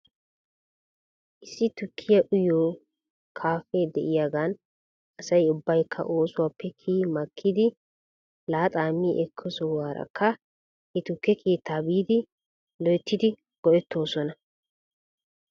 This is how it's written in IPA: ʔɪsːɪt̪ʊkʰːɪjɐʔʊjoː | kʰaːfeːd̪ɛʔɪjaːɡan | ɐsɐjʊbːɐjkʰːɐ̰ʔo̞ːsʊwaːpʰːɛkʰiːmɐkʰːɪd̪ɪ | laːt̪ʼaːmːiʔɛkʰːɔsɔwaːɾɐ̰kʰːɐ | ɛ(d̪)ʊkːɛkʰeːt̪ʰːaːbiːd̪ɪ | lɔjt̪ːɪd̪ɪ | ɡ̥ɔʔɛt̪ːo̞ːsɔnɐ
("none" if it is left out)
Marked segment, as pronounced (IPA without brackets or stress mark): t̪